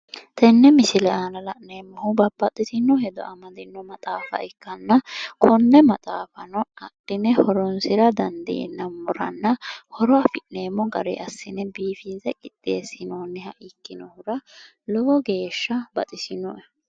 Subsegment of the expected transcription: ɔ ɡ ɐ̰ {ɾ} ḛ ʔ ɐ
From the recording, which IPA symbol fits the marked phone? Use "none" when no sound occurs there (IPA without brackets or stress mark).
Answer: ɾ